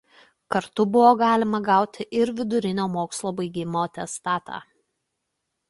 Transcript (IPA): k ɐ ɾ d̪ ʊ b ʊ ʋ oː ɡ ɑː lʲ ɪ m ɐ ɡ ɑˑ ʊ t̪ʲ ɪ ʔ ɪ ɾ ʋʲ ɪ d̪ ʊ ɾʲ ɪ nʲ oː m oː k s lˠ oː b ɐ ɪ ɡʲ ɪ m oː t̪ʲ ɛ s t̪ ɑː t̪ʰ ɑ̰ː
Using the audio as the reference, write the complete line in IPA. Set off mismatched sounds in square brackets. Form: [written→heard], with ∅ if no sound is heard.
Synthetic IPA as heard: k ɐ ɾ [d̪→t̪] ʊ b ʊ ʋ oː ɡ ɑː lʲ ɪ m ɐ ɡ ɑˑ ʊ t̪ʲ ɪ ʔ ɪ ɾ ʋʲ ɪ d̪ ʊ ɾʲ ɪ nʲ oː m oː k s lˠ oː b ɐ ɪ ɡʲ ɪ m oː t̪ʲ ɛ s t̪ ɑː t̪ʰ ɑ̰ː